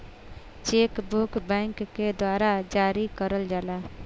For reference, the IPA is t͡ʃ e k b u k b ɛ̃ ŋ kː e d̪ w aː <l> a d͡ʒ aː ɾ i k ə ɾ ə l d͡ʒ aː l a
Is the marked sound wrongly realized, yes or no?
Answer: yes